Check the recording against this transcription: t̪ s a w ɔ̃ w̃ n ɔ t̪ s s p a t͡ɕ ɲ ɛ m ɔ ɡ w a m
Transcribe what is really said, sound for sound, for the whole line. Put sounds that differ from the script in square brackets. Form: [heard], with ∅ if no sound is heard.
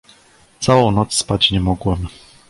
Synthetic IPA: t̪ s a w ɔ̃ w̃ n ɔ t̪ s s p a t͡ɕ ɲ ɛ m ɔ ɡ w [ɛ] m